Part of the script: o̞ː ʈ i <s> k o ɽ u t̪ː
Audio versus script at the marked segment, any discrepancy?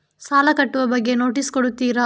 no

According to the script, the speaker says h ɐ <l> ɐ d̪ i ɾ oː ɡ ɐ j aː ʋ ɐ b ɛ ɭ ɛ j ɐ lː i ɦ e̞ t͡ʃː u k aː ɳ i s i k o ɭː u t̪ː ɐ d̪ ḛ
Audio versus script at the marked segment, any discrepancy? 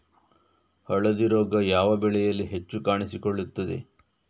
yes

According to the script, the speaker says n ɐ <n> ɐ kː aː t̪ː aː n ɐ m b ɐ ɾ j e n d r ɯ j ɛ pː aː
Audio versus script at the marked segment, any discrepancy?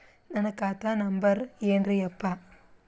no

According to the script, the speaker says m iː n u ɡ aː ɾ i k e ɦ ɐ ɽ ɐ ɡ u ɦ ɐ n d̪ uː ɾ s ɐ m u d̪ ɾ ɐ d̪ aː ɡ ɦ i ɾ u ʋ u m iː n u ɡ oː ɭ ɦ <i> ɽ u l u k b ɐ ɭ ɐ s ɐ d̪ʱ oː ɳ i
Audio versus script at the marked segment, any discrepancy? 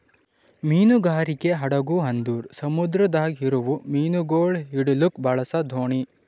no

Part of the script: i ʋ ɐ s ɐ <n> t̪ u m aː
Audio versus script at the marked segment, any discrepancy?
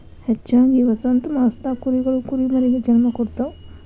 no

